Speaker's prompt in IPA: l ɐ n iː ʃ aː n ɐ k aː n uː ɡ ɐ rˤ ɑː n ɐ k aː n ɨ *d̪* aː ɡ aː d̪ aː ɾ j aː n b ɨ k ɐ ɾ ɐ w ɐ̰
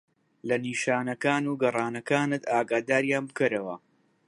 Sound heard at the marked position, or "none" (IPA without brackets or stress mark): t̪